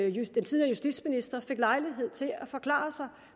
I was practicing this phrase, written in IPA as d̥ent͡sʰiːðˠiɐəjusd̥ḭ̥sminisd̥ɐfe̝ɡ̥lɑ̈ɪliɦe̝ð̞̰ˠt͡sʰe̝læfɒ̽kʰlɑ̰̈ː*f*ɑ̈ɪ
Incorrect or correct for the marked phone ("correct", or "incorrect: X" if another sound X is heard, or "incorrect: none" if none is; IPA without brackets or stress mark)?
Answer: incorrect: s